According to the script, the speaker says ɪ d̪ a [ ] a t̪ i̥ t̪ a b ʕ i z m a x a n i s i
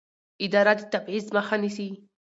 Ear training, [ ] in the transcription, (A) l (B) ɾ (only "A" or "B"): B